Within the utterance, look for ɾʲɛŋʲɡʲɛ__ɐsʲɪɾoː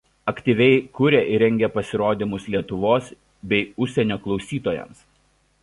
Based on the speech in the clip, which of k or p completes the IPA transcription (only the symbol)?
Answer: p